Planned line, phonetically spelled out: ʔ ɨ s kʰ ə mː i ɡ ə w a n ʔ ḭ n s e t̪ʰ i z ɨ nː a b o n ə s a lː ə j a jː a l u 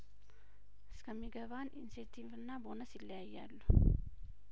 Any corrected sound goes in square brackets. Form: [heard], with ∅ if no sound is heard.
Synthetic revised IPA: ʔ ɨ s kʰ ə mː i ɡ ə [β] a n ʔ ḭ n s e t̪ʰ i [v] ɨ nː a b o n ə s [i] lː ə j a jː a [lː] u